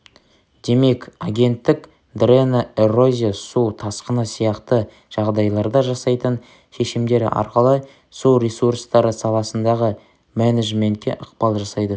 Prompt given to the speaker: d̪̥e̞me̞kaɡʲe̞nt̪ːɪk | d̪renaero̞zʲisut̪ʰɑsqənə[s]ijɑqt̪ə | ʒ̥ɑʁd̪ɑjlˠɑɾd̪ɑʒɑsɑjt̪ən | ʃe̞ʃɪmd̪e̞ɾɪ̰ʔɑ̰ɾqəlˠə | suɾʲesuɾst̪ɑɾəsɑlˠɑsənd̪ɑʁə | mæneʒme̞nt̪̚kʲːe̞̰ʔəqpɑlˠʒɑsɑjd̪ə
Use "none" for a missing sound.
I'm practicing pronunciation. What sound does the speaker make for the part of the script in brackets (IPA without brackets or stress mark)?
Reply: s